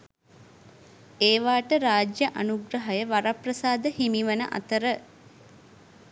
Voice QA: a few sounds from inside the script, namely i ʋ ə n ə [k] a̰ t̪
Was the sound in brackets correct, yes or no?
no